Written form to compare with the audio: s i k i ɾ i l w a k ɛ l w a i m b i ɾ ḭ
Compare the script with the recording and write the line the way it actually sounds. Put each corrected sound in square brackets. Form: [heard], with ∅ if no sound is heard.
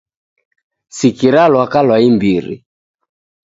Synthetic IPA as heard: s i k i ɾ [a] l w a k [a] l w a i m b i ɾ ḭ